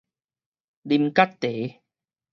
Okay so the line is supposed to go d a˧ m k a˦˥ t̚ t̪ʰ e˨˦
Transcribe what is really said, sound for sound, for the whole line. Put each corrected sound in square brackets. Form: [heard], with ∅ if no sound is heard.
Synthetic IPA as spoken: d [i˧] m k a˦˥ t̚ [t̪] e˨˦